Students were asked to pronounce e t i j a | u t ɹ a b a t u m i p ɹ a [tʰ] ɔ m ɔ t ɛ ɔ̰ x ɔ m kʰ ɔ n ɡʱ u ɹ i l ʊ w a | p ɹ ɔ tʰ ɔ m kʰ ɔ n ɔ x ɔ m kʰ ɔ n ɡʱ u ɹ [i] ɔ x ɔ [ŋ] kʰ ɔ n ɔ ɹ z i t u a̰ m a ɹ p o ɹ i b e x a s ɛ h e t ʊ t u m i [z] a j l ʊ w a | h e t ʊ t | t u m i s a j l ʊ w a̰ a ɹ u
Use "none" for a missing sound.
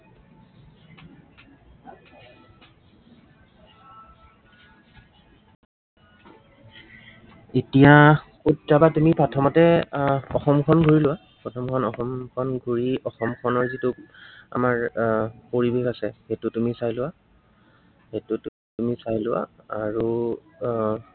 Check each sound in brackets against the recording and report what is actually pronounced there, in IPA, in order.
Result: tʰ, i, m, s

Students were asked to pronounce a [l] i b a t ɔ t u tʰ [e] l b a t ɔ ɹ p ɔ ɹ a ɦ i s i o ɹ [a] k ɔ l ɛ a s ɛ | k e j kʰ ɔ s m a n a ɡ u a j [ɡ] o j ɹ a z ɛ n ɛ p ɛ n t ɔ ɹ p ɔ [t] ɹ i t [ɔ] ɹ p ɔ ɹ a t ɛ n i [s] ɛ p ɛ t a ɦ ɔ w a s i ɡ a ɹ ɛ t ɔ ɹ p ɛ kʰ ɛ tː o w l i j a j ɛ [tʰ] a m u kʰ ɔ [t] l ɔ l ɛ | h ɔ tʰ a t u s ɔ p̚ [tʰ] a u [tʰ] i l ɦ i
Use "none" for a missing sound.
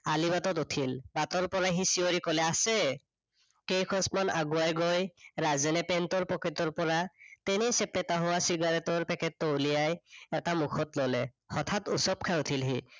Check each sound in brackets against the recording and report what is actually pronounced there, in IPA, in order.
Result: l, i, i, ɡ, k, ɔ, s, t, t, kʰ, tʰ

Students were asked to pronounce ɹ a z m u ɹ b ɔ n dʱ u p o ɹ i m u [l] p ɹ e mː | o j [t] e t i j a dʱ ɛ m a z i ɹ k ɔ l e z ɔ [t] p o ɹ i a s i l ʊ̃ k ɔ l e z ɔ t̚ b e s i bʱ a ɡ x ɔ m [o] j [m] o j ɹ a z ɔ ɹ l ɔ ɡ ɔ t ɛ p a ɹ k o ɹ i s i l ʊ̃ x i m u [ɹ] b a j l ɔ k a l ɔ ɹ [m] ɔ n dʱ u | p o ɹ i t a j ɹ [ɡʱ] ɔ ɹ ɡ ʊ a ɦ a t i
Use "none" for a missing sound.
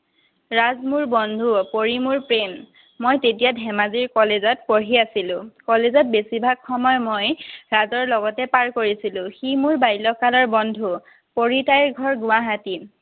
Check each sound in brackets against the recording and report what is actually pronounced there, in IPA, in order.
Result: ɹ, t, t, ɔ, m, ɹ, b, ɡʱ

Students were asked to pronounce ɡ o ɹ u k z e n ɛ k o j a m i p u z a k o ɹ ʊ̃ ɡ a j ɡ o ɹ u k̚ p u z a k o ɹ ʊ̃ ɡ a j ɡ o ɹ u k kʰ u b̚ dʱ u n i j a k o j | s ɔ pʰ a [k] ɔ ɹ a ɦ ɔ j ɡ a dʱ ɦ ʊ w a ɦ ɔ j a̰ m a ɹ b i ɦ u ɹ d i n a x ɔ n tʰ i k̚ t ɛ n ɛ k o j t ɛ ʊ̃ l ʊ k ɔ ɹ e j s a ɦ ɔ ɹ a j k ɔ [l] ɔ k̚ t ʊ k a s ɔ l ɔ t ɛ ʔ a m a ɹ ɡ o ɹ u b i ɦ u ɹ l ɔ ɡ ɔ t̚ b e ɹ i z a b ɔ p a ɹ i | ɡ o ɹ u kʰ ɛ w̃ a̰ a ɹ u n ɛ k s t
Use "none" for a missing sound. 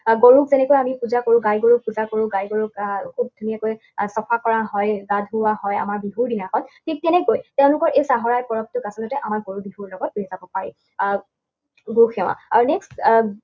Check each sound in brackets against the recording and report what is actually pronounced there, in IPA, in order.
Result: k, ɹ

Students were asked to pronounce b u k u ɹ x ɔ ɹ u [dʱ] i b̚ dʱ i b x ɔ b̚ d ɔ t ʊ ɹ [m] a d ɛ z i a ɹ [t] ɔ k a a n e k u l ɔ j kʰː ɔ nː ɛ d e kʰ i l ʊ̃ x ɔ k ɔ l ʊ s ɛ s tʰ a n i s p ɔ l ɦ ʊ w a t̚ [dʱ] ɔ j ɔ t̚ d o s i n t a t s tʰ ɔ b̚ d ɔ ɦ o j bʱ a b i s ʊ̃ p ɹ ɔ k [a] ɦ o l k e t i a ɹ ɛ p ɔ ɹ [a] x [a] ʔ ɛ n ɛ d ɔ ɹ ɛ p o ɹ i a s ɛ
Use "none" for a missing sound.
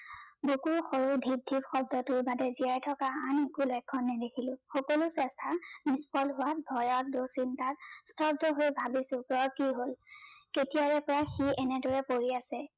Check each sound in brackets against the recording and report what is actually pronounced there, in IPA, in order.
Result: dʱ, b, tʰ, bʱ, i, a, i

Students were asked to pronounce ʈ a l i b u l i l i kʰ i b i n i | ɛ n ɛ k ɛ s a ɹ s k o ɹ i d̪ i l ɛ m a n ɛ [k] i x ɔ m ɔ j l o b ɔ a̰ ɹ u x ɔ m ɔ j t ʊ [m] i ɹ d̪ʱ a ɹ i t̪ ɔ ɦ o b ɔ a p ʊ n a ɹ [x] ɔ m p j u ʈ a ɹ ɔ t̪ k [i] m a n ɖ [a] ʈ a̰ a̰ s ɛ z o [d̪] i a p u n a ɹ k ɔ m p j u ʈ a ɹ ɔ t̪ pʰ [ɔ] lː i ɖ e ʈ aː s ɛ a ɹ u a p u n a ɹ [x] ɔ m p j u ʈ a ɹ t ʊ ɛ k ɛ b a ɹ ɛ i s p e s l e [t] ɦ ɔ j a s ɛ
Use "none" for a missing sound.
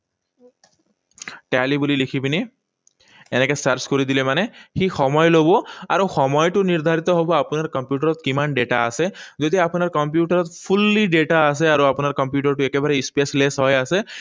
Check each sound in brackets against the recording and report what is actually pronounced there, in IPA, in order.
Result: x, n, k, i, e, d̪, u, k, s

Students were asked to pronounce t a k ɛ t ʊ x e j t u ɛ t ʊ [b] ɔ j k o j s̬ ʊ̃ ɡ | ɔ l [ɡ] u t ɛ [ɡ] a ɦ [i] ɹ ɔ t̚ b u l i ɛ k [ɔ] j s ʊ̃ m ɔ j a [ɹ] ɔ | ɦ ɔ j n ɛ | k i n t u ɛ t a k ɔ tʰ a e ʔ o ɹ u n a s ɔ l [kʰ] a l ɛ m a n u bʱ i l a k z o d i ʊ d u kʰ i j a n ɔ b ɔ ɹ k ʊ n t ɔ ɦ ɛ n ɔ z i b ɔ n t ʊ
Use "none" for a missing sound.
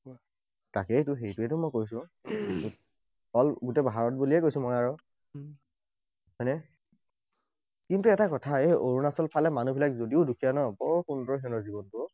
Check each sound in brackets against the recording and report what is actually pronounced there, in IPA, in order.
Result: m, ɡ, b, a, o, ɹ, pʰ

